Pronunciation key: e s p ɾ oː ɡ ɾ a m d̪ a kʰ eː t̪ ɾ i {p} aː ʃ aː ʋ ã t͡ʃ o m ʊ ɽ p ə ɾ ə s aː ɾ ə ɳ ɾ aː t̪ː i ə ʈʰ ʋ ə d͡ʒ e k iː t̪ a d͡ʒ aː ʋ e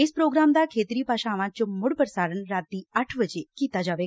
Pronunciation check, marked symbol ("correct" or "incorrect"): correct